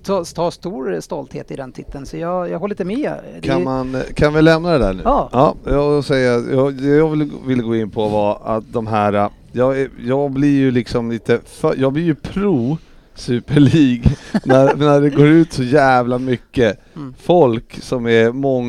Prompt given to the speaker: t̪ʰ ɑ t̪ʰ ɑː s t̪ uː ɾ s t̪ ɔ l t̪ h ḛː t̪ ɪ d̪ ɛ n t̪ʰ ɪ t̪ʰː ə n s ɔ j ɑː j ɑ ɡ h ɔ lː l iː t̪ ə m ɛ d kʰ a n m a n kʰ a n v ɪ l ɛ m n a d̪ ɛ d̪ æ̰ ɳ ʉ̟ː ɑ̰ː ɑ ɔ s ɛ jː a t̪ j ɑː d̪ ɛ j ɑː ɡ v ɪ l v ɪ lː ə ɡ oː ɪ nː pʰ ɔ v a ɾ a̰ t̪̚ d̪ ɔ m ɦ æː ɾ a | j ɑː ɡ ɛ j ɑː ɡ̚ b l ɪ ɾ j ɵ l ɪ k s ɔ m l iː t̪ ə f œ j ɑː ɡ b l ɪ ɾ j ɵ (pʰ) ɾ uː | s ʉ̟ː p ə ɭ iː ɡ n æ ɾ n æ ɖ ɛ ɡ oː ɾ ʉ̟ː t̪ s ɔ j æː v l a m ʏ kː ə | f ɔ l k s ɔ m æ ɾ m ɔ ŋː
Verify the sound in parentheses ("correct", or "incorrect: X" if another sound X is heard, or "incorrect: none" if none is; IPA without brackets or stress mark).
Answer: correct